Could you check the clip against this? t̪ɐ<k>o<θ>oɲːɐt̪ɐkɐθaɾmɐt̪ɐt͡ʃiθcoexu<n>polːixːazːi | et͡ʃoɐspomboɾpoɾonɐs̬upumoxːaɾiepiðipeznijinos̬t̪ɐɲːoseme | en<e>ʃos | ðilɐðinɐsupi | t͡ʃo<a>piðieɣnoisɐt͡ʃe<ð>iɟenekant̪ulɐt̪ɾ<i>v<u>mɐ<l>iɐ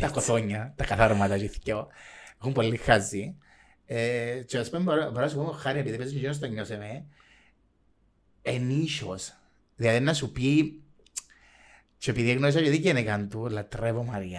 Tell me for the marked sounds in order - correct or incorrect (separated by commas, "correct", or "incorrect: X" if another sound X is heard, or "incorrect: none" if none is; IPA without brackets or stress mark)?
correct, correct, incorrect: m, incorrect: i, incorrect: e, correct, incorrect: e, incorrect: o, incorrect: ɾ